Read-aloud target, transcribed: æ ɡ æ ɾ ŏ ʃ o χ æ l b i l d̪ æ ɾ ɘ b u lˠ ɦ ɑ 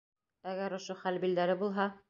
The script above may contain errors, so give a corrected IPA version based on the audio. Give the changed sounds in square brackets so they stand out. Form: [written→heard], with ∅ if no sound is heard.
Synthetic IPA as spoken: æ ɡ æ ɾ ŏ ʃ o χ æ l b i l d̪ æ ɾ ɘ b u lˠ ɦ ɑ